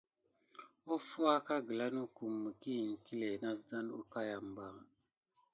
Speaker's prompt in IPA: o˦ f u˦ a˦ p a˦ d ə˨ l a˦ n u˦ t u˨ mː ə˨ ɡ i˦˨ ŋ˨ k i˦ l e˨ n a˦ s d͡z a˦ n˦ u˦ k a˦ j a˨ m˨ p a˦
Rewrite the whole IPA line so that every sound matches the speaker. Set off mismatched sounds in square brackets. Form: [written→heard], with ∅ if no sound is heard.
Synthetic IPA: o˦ f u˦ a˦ [p→k] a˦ [d→ɡ] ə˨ l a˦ n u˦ [t→k] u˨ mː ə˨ [ɡ→k] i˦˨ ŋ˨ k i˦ l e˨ n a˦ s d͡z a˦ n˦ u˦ k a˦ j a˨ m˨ [p→b] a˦